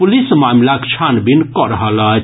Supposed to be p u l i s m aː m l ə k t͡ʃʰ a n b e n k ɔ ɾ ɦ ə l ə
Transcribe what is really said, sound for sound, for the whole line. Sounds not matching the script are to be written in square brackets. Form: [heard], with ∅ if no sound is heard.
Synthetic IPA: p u l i s m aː m l [a] k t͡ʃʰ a n b [i] n k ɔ ɾ ɦ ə l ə